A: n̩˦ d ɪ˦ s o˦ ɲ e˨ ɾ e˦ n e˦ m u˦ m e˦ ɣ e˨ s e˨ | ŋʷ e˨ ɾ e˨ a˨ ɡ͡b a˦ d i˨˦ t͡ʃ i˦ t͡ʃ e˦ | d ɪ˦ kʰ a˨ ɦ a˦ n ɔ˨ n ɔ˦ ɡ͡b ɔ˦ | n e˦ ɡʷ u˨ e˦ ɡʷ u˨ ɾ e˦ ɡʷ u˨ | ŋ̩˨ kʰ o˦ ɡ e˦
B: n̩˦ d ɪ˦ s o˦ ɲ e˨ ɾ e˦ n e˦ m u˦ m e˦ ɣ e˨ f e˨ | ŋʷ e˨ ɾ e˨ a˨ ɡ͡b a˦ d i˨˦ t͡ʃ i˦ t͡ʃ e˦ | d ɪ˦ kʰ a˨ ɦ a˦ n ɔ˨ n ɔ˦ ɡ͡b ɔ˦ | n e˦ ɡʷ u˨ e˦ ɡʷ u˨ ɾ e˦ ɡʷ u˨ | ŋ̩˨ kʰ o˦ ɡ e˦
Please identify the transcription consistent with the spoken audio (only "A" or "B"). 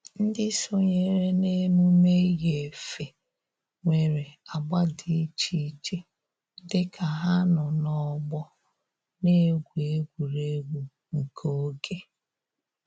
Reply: B